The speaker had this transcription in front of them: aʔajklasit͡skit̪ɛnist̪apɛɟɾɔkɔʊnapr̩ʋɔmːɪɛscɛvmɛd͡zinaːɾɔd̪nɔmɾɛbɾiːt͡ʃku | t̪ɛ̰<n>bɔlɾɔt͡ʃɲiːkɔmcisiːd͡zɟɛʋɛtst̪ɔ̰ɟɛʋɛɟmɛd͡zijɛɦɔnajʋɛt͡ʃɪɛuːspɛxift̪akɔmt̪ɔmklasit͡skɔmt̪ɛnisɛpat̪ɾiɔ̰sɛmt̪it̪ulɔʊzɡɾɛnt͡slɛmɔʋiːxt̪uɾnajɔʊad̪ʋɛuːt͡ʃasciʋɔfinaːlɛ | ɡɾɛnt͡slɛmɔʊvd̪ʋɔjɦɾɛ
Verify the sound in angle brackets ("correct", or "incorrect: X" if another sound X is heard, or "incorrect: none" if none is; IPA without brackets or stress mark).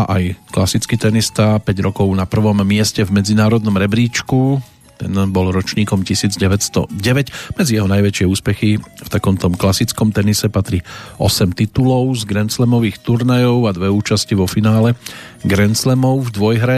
correct